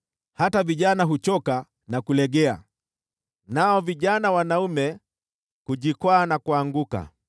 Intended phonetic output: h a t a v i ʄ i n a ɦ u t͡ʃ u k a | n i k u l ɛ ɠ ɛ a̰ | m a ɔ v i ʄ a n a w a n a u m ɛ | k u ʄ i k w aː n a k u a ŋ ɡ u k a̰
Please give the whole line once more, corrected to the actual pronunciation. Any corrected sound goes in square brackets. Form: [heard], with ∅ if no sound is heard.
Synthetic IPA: h a t a v i ʄ [a] n a ɦ u t͡ʃ [ɔ] k a | n [a] k u l ɛ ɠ ɛ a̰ | [n] a ɔ v i ʄ a n a w a n a u m ɛ | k u ʄ i k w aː n a k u a ŋ ɡ u k a̰